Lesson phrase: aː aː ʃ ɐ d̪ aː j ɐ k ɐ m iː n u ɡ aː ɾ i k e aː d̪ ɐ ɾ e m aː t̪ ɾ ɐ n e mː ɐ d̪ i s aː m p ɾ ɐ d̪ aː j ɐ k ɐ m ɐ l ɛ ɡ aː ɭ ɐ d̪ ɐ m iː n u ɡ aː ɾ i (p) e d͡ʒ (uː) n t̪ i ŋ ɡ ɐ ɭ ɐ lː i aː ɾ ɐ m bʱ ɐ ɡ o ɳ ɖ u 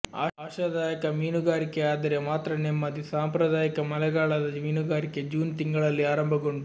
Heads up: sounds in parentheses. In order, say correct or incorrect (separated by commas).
incorrect, correct